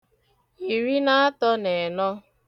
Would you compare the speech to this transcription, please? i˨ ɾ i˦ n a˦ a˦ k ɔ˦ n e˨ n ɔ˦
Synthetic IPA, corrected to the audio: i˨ ɾ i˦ n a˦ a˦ t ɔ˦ n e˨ n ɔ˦